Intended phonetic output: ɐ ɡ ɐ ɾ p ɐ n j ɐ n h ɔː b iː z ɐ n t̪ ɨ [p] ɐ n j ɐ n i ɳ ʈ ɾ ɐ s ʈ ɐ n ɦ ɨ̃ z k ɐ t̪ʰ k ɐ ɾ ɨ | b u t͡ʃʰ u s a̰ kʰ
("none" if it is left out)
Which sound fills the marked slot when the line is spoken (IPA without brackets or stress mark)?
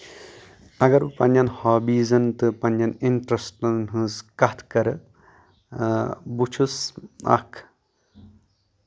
p